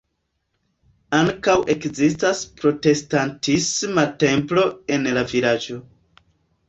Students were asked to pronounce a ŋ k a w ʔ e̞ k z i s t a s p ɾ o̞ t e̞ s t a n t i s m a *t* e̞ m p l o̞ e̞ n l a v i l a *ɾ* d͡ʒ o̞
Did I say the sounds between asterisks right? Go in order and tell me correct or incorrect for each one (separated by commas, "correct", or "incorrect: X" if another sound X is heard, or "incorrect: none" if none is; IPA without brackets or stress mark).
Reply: correct, incorrect: none